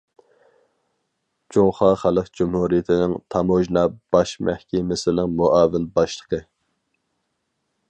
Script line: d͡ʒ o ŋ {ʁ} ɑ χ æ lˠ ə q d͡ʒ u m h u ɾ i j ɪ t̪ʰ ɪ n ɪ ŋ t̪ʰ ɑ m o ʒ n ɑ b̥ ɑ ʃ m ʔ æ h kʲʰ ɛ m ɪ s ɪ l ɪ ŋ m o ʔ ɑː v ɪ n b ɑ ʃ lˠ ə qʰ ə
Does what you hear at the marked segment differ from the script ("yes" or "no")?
yes